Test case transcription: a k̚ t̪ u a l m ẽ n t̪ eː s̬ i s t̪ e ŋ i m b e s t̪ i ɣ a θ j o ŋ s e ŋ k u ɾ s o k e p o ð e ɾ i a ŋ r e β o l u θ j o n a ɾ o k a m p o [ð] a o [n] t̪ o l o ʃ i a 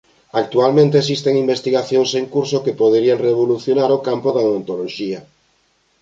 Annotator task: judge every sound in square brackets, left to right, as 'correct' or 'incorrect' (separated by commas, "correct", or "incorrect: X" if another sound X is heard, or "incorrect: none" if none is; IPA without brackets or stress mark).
correct, correct